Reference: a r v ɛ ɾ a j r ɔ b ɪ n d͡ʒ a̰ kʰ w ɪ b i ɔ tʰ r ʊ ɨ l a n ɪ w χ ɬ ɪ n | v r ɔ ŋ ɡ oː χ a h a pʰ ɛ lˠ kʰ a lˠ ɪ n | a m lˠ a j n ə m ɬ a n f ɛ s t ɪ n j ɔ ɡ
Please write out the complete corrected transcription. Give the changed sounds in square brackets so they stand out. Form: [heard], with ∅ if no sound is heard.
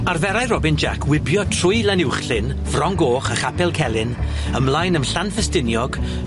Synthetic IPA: a r v ɛ ɾ a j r ɔ b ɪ n d͡ʒ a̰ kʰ w ɪ b [j] ɔ tʰ r ʊ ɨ l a n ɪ w χ ɬ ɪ n | v r ɔ ŋ ɡ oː χ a [χ] a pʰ ɛ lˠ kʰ [ɛ] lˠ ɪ n | [ə] m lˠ a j n ə m ɬ a n f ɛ s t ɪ n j ɔ ɡ